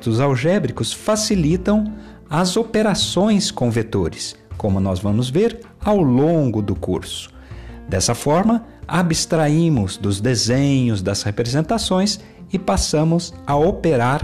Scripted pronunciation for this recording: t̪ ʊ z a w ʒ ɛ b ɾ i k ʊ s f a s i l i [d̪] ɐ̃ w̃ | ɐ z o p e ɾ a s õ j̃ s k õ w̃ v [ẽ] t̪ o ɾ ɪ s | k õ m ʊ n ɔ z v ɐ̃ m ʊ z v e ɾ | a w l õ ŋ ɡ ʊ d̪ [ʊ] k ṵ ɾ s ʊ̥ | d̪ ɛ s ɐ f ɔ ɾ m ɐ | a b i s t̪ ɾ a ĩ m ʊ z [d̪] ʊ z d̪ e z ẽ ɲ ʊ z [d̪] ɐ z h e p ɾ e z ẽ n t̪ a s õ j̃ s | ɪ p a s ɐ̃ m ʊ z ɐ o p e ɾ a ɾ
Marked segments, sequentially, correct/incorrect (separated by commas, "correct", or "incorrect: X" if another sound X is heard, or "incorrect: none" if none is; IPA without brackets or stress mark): incorrect: t̪, incorrect: e, correct, correct, correct